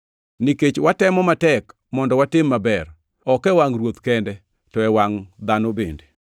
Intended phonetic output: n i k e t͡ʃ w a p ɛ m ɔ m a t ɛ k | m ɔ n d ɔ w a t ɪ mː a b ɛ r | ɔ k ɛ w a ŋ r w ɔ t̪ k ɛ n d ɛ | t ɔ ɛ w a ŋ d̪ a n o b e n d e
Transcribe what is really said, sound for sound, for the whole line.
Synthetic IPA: n i k e t͡ʃ w a t ɛ m ɔ m a t ɛ k | m ɔ n d ɔ w a t ɪ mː a b ɛ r | ɔ k ɛ w a ŋ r w o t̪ k ɛ n d ɛ | t ɔ ɛ w a ŋ d̪ a n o b e n d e